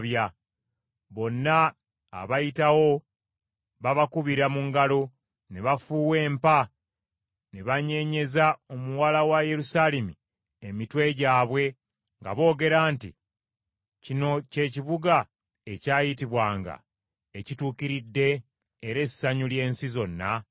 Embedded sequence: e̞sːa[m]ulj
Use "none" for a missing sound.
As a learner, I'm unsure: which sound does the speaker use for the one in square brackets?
ɲ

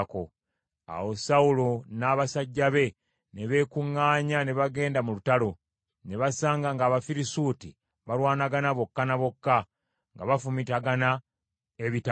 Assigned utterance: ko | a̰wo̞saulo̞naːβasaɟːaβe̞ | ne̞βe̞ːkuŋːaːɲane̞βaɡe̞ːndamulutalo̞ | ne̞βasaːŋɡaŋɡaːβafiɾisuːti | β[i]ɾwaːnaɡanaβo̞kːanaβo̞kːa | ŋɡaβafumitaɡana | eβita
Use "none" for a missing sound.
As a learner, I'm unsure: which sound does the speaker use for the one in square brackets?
a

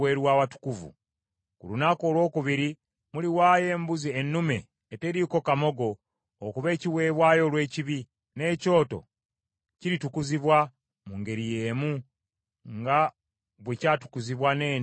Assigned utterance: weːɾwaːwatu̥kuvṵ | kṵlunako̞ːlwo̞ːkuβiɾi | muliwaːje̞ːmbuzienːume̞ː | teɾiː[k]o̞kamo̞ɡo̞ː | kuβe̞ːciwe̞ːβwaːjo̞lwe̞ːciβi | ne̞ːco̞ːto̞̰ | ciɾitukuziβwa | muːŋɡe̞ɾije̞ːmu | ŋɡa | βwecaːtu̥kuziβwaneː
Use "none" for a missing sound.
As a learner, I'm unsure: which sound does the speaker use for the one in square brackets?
k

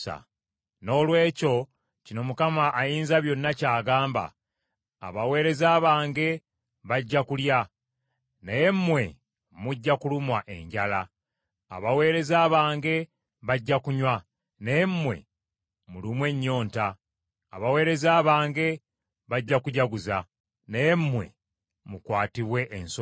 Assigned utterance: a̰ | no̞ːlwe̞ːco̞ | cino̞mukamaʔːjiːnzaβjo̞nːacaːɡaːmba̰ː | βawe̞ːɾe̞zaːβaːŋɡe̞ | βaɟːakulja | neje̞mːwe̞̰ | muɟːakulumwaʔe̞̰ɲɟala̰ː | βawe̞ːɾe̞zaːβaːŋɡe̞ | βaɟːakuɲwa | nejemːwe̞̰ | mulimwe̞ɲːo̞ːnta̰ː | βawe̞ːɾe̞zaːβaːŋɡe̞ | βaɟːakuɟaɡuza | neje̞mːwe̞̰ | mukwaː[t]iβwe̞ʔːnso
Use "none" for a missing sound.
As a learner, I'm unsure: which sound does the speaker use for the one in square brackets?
t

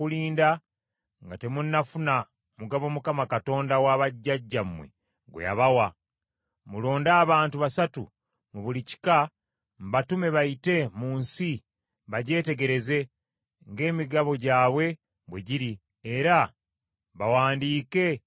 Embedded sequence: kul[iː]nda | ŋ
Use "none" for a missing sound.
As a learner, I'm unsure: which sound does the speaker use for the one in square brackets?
iː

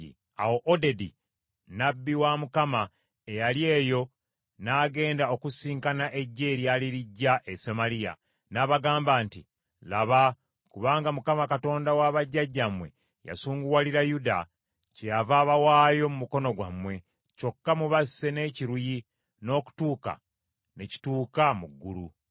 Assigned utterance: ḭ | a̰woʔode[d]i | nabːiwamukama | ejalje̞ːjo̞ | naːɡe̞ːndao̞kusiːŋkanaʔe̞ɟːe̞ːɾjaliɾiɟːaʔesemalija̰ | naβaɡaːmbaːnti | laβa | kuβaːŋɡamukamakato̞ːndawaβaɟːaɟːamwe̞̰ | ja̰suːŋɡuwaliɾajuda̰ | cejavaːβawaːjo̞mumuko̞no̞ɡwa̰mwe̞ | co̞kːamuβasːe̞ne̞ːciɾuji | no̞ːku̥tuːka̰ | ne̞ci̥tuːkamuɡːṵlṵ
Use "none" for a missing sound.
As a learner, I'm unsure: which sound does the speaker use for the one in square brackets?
d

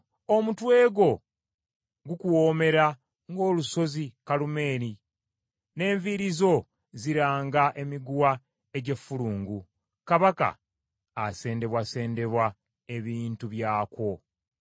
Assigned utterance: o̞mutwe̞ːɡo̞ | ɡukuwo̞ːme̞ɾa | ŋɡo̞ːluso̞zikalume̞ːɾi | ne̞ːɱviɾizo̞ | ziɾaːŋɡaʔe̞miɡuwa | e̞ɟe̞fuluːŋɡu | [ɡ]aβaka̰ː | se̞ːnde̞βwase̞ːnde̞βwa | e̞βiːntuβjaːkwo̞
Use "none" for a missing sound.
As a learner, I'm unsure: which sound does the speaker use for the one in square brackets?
k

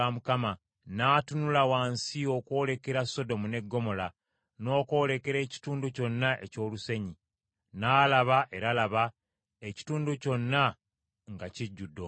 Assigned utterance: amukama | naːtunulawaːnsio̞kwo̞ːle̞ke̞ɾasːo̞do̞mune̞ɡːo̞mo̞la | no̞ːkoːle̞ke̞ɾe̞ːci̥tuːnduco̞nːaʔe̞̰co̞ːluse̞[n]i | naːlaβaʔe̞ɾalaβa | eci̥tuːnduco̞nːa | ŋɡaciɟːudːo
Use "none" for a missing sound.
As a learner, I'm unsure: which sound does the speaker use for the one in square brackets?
ɲ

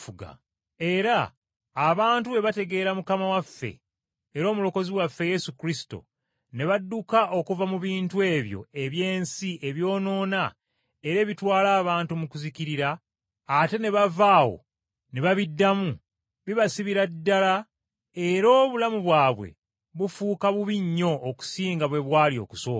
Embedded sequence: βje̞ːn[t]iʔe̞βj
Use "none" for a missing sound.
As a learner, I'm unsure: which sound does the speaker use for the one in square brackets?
s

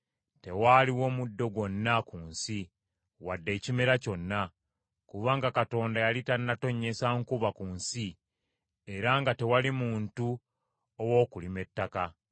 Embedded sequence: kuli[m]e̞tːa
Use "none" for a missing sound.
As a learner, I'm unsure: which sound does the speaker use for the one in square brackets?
m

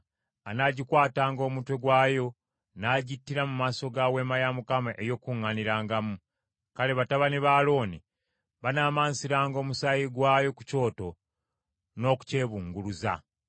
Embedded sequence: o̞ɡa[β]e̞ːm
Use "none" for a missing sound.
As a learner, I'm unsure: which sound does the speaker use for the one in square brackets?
w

